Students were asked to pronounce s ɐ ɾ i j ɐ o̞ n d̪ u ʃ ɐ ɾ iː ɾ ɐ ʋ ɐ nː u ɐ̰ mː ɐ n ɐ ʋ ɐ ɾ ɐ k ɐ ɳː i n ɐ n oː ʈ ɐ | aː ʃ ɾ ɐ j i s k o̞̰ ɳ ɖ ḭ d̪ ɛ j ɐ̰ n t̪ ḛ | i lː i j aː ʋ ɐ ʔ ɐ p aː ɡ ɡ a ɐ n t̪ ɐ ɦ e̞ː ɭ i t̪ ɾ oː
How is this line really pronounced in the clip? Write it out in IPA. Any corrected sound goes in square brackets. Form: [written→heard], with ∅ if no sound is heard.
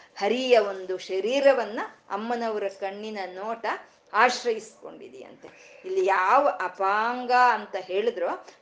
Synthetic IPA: [s→h] ɐ ɾ i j ɐ o̞ n d̪ u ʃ ɐ ɾ iː ɾ ɐ ʋ ɐ nː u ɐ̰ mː ɐ n ɐ ʋ ɐ ɾ ɐ k ɐ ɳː i n ɐ n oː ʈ ɐ | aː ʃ ɾ ɐ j i s k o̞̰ ɳ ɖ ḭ d̪ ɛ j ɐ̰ n t̪ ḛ | i lː i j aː ʋ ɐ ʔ ɐ p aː [ɡ→ŋ] ɡ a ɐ n t̪ ɐ ɦ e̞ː ɭ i [t̪→d̪] ɾ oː